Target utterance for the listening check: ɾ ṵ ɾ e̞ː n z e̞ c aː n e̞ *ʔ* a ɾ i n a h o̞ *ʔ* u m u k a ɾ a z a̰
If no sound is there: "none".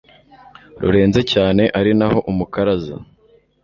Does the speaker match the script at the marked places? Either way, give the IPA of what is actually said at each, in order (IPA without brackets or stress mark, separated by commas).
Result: ʔ, ʔ